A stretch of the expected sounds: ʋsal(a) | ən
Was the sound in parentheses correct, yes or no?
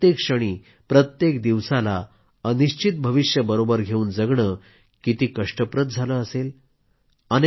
yes